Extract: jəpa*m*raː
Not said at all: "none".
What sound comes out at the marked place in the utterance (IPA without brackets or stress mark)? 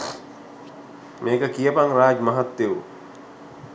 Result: ŋ